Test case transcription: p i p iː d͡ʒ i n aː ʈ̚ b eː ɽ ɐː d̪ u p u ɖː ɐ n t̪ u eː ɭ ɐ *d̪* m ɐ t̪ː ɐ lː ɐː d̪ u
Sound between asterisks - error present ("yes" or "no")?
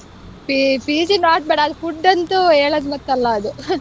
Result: no